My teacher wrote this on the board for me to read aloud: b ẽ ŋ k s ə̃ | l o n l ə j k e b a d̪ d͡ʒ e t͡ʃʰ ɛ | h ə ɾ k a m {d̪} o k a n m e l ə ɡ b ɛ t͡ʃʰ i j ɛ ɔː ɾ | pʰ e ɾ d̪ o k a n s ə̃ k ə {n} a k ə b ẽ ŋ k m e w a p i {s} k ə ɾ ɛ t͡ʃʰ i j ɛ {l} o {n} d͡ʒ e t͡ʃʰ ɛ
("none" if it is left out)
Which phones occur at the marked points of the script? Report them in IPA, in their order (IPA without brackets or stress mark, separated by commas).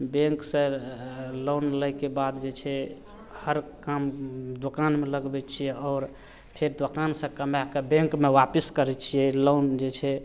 d̪, m, s, l, n